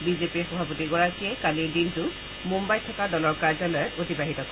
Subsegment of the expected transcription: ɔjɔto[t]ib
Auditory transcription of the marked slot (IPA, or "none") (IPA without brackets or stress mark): t